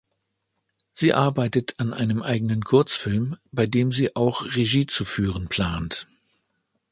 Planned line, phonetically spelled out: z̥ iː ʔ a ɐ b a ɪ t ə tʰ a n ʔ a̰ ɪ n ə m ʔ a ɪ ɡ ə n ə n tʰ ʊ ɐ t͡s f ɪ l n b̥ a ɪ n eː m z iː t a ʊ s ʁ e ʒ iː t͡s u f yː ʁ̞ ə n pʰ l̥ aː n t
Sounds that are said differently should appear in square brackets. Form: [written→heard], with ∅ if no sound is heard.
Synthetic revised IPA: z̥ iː ʔ a ɐ b a ɪ t ə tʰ a n ʔ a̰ ɪ n ə m ʔ a ɪ ɡ ə n ə n [tʰ→kʰ] ʊ ɐ t͡s f ɪ l [n→m] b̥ a ɪ [n→d] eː m z iː [t→ʔ] a ʊ [s→x] ʁ e ʒ iː t͡s u f yː ʁ̞ ə n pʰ l̥ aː n t